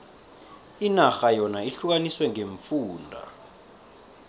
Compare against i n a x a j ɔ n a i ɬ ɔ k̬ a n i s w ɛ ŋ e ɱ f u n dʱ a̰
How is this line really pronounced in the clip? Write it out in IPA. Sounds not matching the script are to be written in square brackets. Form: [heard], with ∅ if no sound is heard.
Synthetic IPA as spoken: i n a x a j ɔ n a i ɬ [u] k̬ a n i s w ɛ ŋ e ɱ f [uː] n dʱ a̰